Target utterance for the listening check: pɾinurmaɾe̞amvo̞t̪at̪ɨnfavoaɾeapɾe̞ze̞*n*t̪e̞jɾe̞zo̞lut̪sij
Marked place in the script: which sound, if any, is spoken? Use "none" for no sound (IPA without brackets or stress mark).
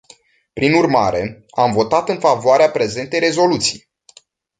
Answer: n